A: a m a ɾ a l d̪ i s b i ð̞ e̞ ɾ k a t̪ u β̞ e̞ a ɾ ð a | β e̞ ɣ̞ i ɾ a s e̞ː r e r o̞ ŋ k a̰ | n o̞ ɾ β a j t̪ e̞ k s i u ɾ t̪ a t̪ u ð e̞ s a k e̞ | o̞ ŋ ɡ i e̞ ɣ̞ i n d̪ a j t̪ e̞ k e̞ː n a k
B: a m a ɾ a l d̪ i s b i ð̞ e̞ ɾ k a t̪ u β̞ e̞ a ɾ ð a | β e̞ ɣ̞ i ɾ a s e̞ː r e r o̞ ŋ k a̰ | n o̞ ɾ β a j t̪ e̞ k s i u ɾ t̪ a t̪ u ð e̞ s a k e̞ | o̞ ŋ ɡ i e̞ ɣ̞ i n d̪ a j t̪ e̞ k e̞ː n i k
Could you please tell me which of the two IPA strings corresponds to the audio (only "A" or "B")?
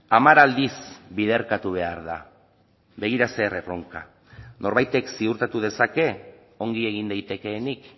B